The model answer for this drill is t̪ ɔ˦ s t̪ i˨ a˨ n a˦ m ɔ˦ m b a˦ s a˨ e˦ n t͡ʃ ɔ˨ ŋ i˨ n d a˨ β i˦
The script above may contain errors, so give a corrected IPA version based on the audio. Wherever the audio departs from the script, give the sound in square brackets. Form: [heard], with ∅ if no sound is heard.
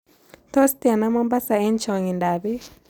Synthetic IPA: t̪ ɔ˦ s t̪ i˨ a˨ n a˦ m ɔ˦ m b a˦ s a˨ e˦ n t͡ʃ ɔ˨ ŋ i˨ n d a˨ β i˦